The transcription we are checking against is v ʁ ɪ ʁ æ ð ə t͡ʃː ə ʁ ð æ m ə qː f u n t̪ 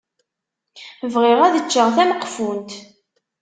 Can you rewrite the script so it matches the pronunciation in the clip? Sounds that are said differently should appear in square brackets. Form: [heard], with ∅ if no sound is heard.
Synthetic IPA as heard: v ʁ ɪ ʁ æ ð ə t͡ʃː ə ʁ [θ] æ m ə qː f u n t̪